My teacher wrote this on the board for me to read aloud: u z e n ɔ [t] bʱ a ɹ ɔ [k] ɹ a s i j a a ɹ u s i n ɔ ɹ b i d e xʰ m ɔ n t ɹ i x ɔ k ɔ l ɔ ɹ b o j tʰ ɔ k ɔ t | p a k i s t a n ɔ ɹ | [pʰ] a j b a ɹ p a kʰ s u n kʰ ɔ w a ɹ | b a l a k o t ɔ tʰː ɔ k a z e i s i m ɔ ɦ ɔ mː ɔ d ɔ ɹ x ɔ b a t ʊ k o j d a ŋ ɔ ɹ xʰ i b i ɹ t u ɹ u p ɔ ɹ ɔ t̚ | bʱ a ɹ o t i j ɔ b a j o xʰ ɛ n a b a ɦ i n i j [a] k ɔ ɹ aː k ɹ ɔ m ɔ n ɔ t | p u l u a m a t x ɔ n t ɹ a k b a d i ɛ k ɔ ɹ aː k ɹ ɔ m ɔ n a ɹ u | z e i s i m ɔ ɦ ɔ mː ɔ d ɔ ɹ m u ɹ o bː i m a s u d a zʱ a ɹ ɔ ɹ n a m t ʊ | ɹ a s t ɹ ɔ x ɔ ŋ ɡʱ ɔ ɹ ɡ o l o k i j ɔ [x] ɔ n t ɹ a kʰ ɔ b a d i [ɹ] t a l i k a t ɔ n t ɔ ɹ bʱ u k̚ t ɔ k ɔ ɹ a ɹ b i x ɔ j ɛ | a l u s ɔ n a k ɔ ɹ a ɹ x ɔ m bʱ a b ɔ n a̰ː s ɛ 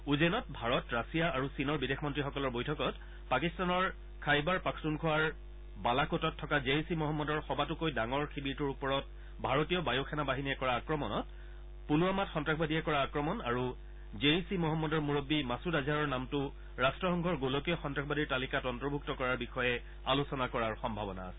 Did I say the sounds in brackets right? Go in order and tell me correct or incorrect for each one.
correct, incorrect: t, incorrect: kʰ, incorrect: ɛ, correct, correct

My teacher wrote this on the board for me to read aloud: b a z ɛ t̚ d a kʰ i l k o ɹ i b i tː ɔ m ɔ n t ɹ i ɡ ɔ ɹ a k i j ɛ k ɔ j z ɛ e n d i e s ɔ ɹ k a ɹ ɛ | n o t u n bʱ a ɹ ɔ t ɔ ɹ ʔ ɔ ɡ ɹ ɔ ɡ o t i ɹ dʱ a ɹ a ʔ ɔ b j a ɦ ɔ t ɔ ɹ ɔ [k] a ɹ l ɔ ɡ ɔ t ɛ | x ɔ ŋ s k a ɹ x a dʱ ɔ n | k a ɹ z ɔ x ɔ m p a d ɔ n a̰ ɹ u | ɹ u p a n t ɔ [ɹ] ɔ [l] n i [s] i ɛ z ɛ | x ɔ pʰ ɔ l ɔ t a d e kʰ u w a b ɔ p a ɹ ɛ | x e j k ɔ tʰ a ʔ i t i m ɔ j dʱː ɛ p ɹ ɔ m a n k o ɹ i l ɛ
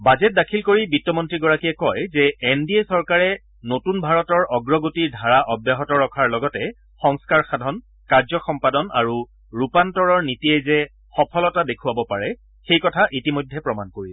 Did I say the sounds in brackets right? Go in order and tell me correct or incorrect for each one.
incorrect: kʰ, correct, incorrect: ɹ, incorrect: t

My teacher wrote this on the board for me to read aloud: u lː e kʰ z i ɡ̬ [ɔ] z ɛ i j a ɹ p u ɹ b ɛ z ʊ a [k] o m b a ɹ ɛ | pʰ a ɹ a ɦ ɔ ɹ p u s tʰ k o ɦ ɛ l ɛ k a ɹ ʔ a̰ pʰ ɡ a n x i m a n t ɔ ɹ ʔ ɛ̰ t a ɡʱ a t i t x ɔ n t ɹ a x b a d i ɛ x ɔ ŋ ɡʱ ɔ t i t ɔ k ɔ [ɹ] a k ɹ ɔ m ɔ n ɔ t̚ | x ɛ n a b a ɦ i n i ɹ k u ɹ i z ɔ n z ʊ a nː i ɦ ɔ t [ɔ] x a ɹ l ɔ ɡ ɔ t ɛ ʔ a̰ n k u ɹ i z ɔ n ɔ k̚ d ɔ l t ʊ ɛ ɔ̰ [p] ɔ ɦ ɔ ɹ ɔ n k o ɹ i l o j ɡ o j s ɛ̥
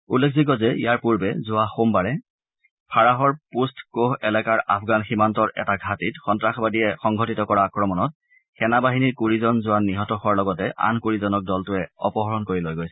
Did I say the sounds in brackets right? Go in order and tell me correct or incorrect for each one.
correct, incorrect: x, correct, correct, correct

